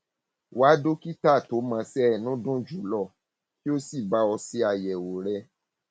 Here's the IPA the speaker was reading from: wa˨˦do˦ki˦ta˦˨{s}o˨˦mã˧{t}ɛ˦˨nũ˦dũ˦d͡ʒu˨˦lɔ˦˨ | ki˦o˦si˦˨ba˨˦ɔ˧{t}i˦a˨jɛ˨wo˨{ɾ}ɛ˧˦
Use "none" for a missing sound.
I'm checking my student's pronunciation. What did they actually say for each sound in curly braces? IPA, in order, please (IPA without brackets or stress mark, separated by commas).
t, s, s, ɾ